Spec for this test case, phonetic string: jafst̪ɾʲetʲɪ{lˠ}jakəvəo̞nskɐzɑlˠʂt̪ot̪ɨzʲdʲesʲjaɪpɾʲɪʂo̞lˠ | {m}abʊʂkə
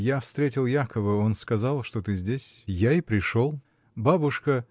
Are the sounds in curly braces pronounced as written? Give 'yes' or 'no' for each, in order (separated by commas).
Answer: yes, no